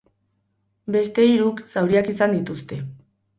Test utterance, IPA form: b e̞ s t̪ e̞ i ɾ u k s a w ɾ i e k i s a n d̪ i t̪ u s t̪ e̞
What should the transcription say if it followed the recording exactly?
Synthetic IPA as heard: b e̞ s t̪ e̞ i ɾ u k s a w ɾ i a k i s a n d̪ i t̪ u s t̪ e̞